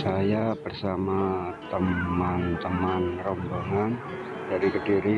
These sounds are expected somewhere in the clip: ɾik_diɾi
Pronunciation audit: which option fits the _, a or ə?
ə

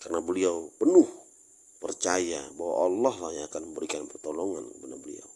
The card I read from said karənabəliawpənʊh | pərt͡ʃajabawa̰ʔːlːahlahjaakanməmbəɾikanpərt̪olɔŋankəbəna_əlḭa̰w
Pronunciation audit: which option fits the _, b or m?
b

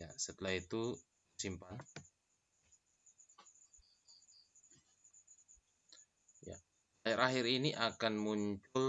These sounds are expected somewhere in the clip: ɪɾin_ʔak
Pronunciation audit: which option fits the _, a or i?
i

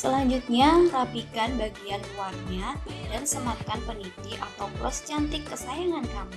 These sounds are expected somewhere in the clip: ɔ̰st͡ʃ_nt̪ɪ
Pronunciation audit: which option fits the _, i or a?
a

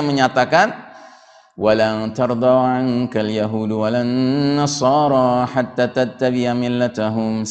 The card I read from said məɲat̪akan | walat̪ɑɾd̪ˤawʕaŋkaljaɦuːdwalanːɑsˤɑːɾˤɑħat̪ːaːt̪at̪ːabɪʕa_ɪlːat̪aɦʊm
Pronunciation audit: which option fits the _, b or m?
m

